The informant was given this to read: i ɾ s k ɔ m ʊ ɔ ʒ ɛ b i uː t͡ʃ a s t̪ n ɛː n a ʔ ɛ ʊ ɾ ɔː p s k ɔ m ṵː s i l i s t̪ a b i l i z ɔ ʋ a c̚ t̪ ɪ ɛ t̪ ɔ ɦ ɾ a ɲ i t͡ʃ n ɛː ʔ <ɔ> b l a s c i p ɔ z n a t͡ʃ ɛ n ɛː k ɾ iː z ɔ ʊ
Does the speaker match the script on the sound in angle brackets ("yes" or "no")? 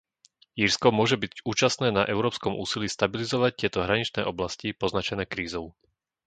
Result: yes